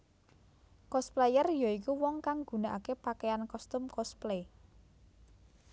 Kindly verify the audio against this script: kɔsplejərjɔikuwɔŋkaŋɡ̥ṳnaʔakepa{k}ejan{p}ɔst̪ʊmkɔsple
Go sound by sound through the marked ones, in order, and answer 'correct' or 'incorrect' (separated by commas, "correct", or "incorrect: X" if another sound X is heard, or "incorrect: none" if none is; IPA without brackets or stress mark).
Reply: correct, incorrect: k